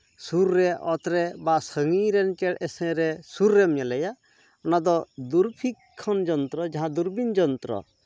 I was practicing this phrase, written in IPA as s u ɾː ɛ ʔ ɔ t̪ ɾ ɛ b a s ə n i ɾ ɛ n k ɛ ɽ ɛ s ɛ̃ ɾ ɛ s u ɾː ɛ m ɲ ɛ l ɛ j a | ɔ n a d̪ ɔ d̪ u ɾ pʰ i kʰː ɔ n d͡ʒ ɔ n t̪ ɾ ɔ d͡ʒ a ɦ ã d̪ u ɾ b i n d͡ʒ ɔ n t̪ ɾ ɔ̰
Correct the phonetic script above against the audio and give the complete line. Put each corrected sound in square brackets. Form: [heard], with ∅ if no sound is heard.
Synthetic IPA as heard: s u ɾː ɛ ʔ ɔ t̪ ɾ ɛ b a s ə [ŋ] i ɾ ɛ n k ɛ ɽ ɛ s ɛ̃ ɾ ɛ s u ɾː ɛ m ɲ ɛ l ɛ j a | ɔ n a d̪ ɔ d̪ u ɾ pʰ i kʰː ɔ n d͡ʒ ɔ n t̪ ɾ ɔ d͡ʒ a ɦ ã d̪ u ɾ b i n d͡ʒ ɔ n t̪ ɾ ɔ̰

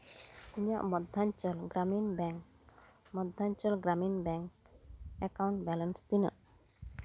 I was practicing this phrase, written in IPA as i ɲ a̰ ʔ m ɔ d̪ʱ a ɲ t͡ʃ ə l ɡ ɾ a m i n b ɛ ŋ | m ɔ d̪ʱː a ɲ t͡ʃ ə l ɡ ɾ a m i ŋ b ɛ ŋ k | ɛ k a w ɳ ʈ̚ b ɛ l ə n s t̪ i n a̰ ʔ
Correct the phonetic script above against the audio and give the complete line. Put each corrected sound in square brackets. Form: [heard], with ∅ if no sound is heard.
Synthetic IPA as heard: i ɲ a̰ ʔ m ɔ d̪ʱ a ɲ t͡ʃ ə l ɡ ɾ a m i n b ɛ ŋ | m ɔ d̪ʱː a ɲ t͡ʃ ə l ɡ ɾ a m i [n] b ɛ ŋ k | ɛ k a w ɳ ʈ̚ b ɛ l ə n s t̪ i n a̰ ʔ

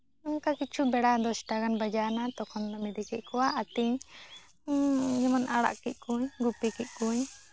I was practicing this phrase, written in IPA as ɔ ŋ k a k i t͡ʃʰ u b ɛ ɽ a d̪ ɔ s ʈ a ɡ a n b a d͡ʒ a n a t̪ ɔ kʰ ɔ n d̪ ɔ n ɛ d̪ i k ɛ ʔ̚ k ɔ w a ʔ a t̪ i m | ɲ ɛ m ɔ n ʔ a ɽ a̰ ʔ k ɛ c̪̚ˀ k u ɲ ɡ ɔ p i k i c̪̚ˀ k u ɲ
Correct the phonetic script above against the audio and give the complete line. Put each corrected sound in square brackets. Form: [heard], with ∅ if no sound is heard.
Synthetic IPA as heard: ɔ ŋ k a k i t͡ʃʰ u b ɛ ɽ a d̪ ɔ s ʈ a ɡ a n b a d͡ʒ a n a t̪ ɔ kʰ ɔ n d̪ ɔ [m] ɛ d̪ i k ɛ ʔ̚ k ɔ w a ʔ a t̪ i [ɲ] | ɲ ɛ m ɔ n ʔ a ɽ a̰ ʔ k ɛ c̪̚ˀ k u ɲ ɡ [u] p i k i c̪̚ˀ k u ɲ

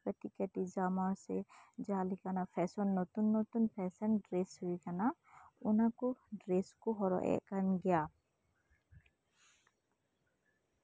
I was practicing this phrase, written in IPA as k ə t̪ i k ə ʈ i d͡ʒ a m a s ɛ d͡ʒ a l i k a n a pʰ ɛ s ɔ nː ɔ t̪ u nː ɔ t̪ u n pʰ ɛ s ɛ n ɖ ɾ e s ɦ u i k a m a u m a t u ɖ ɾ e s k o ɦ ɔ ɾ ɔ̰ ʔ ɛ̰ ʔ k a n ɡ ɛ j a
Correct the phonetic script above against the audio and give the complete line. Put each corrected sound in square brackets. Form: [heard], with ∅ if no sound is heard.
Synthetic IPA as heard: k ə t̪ i k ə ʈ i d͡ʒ a m a s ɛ d͡ʒ a l i k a n a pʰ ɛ s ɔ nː ɔ t̪ u nː ɔ t̪ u n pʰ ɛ s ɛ n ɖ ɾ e s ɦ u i k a [n] a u [n] a [k] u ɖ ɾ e s k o ɦ ɔ ɾ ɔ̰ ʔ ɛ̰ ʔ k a n ɡ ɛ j a

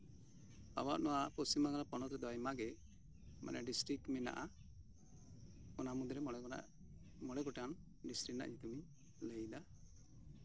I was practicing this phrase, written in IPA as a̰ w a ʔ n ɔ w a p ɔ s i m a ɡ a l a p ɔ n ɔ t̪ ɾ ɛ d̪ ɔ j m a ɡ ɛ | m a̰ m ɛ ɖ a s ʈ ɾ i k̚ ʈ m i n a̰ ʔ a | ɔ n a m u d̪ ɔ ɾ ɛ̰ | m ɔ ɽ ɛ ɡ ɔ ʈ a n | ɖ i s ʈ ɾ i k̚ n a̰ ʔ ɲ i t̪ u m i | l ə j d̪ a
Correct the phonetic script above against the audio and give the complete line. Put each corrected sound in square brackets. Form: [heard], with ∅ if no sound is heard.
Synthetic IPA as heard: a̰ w a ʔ n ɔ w a p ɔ s i m a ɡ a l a p ɔ n ɔ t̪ ɾ ɛ d̪ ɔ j m a ɡ ɛ | m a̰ [n] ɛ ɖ [i] s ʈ ɾ i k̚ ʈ m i n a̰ ʔ a | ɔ n a m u d̪ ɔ ɾ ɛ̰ | m ɔ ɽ ɛ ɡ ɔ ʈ a n | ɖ i s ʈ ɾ i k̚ n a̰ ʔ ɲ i t̪ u m i | l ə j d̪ a

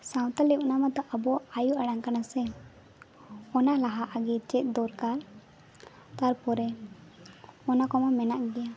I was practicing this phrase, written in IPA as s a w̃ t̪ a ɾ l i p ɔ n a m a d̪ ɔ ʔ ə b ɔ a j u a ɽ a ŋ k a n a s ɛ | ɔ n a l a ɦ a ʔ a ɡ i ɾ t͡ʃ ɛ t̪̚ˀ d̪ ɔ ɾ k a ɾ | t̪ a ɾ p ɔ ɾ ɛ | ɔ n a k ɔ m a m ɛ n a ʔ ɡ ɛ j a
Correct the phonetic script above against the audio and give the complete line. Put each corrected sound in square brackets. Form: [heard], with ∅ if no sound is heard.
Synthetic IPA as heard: s a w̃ t̪ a [∅] l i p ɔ n a m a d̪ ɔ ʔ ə b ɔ a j u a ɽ a ŋ k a n a s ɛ | ɔ n a l a ɦ a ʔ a ɡ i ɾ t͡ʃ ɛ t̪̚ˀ d̪ ɔ ɾ k a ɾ | t̪ a ɾ p ɔ ɾ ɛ | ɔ n a k ɔ m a m ɛ n a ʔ ɡ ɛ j a

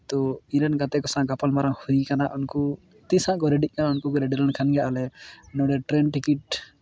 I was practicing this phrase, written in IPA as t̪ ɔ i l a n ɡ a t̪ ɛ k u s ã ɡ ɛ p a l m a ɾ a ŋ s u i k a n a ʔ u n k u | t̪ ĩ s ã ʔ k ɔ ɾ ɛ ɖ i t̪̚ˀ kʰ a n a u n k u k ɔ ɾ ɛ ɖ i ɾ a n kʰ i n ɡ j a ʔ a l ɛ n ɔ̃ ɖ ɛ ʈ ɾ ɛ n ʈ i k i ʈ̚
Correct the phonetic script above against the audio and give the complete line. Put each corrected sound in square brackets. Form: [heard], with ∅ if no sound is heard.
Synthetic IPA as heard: t̪ ɔ i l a n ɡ a t̪ ɛ k [ɔ] s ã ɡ [a] p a l m a ɾ a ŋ [h] u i k a n a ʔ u n k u | t̪ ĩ s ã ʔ k ɔ ɾ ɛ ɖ i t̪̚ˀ [k] a n a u n k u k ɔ ɾ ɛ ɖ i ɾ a n kʰ [a] n ɡ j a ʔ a l ɛ n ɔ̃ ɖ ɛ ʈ ɾ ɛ n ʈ i k i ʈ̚

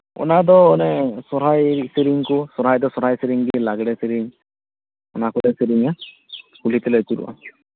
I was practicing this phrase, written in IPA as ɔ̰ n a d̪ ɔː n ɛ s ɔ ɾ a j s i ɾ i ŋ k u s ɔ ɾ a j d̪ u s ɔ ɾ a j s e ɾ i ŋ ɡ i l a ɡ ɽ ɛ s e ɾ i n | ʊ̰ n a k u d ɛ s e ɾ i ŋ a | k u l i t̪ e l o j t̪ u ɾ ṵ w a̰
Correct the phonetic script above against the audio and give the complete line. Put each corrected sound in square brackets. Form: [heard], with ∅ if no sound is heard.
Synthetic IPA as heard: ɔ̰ n a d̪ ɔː n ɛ s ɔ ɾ a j s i ɾ i ŋ k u s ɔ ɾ a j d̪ [ɔ] s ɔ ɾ a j s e ɾ i ŋ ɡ i l a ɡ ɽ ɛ s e ɾ i [ŋ] | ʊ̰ n a k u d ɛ s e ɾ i ŋ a | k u l i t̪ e l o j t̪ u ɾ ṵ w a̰

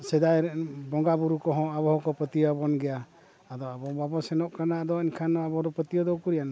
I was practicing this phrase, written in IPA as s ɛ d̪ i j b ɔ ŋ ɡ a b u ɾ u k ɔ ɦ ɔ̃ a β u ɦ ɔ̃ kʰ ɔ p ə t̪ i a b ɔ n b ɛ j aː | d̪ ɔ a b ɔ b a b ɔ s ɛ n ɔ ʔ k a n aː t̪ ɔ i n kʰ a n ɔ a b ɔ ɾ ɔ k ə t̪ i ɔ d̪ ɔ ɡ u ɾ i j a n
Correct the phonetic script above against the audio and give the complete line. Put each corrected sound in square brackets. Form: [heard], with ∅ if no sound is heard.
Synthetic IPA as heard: s ɛ d̪ [a] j b ɔ ŋ ɡ a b u ɾ u k ɔ ɦ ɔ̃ a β [ɔ] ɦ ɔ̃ [k] ɔ p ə t̪ i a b ɔ n [ɡ] ɛ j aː | d̪ ɔ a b ɔ b a b ɔ s ɛ n ɔ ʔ k a n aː [d̪] ɔ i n kʰ a n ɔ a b ɔ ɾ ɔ [p] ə t̪ i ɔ d̪ ɔ [k] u ɾ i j a n

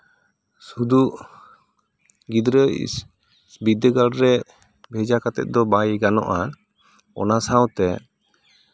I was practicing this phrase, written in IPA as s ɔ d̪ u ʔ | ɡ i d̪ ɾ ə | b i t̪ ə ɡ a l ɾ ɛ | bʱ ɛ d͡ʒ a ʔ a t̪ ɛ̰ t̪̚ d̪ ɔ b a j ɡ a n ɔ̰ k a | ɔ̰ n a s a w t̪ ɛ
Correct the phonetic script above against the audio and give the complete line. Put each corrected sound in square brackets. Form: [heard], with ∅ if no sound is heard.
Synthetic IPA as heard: s [u] d̪ u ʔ | ɡ i d̪ ɾ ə | b i [d̪] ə ɡ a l ɾ ɛ | bʱ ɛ d͡ʒ a [k] a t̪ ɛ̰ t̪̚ d̪ ɔ b a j ɡ a n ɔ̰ [ʔ] a | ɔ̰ n a s a w t̪ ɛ

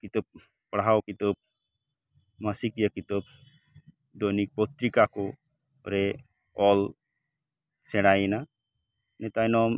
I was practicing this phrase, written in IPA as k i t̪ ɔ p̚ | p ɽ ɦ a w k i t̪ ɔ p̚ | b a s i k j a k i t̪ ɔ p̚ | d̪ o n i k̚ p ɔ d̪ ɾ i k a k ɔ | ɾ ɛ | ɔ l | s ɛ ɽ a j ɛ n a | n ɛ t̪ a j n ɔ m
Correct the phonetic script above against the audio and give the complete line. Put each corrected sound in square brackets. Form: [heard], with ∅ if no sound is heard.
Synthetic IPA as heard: k i t̪ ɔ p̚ | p ɽ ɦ a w k i t̪ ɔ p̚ | [m] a s i k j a k i t̪ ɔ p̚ | d̪ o n i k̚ p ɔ [t̪] ɾ i k a k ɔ | ɾ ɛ | ɔ l | s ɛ ɽ a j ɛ n a | n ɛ t̪ a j n ɔ m

